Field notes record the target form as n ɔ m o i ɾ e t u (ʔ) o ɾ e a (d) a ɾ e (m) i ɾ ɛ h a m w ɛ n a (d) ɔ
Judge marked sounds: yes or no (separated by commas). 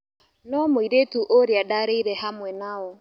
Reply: yes, yes, no, no